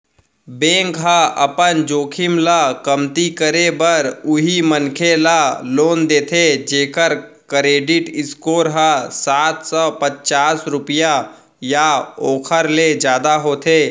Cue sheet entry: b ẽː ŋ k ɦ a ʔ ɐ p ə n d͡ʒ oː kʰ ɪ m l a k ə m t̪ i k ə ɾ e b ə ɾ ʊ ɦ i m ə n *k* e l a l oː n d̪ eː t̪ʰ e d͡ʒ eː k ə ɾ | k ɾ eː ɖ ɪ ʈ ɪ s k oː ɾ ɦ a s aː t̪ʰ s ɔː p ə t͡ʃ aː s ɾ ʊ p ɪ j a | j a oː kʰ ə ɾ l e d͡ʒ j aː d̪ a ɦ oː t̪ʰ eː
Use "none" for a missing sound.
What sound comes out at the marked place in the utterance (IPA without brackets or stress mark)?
kʰ